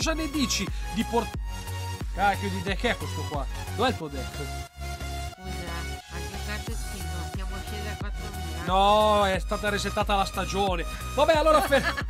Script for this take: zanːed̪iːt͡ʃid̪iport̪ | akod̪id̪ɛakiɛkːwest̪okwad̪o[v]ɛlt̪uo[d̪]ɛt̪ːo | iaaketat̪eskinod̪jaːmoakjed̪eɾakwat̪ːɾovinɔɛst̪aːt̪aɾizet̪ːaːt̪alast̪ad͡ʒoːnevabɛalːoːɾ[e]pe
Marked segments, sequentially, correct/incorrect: correct, correct, incorrect

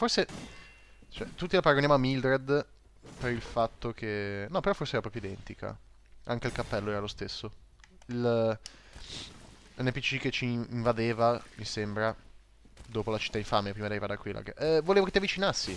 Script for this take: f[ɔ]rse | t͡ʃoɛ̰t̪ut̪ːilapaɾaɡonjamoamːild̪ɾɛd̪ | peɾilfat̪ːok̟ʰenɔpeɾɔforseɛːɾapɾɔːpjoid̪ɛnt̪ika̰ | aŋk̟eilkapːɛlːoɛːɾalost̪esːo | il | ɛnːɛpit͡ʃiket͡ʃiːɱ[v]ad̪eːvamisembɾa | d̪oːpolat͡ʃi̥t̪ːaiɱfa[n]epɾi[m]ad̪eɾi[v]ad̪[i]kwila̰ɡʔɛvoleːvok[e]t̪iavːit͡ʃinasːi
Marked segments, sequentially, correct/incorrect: incorrect, correct, incorrect, correct, correct, incorrect, correct

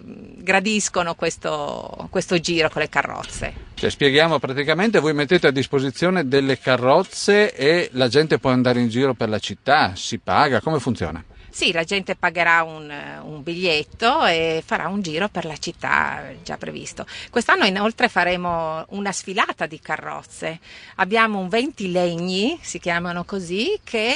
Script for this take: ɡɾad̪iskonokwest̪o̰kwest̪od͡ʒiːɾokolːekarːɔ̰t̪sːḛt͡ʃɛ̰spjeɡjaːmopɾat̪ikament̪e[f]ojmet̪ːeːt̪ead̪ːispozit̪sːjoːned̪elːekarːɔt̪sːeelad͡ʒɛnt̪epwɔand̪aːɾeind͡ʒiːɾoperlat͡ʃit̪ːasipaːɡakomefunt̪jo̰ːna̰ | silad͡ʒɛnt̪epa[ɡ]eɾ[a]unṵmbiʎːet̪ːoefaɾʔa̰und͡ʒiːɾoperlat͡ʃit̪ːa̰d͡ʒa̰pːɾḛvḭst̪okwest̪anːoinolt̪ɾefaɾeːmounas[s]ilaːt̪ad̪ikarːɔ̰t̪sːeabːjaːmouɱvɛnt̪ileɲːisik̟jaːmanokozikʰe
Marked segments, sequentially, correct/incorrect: incorrect, correct, correct, incorrect

